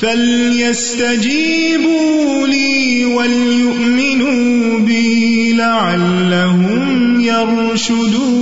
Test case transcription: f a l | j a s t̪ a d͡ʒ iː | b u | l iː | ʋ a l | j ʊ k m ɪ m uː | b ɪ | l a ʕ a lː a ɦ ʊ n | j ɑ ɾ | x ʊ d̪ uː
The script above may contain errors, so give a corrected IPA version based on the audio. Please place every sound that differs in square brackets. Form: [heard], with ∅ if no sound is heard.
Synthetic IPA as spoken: f a l | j a s t̪ a d͡ʒ iː | b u | l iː | [w] a l | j ʊ [ʔ] m ɪ [n] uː | b ɪ | l a ʕ a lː a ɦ ʊ [m] | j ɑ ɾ | [ʃ] ʊ d̪ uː